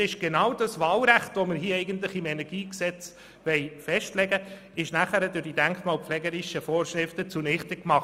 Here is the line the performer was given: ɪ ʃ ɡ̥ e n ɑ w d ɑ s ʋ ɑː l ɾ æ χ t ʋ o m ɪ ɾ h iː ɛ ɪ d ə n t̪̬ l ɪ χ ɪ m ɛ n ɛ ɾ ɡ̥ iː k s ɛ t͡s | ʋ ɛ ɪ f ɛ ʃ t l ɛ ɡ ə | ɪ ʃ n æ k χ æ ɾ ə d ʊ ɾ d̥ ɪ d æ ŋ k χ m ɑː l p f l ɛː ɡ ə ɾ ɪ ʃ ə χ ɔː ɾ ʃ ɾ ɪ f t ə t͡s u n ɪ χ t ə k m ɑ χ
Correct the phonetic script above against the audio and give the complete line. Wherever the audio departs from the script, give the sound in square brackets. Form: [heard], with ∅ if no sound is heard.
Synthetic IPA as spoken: ɪ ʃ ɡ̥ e n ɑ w d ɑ s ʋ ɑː l ɾ æ χ t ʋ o m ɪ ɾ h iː ɛ ɪ [ɡ] ə n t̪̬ l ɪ χ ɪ m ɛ n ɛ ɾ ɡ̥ iː k s ɛ t͡s | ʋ ɛ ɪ f ɛ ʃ t l ɛ ɡ ə | ɪ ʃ n æ [∅] χ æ ɾ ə d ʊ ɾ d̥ [i] d æ ŋ k χ m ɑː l p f l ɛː ɡ ə ɾ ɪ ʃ ə [f] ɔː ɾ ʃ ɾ ɪ f t ə t͡s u n ɪ χ t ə k m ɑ χ